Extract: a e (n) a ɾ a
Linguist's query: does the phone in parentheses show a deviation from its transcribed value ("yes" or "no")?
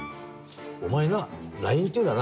no